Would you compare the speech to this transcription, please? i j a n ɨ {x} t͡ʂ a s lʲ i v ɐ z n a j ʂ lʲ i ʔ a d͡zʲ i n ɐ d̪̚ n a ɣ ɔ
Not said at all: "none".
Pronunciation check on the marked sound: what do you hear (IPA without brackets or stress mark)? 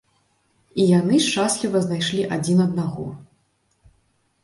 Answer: ʂ